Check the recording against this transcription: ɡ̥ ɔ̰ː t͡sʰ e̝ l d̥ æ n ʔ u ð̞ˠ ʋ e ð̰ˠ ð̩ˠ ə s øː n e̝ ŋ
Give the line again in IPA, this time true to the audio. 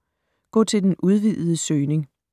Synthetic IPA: ɡ̥ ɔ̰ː t͡sʰ e̝ l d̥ e n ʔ u ð̞ˠ ʋ i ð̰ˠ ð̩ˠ ə s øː n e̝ ŋ

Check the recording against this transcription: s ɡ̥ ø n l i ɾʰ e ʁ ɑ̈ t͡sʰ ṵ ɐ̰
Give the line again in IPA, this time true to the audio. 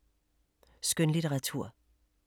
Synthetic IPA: s ɡ̥ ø n l i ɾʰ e ʁ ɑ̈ t͡sʰ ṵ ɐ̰

